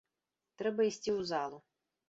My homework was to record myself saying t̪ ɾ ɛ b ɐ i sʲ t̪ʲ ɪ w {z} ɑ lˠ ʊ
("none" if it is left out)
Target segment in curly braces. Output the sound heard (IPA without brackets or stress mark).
z